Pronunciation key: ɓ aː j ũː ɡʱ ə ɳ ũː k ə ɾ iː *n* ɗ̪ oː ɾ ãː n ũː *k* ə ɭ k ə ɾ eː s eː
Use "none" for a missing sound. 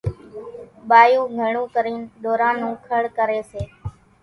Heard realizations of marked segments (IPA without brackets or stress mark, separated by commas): n, kʰ